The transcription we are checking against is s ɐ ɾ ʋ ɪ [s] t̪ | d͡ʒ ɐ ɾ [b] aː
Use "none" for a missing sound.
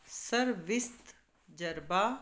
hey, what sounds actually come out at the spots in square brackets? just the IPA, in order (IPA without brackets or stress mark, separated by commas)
s, b